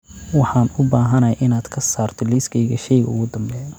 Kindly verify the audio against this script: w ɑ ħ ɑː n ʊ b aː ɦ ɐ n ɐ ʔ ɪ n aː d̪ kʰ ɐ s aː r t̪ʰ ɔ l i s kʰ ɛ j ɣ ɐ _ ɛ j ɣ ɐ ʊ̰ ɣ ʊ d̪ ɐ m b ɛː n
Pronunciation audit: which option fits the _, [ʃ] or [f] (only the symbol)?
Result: ʃ